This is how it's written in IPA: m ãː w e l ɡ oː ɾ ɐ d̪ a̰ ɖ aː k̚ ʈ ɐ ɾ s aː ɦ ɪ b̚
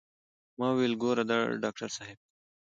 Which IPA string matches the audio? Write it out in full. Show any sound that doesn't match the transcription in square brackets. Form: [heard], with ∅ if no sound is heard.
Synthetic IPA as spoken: m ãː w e l ɡ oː ɾ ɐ d̪ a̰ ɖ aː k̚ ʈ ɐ ɾ s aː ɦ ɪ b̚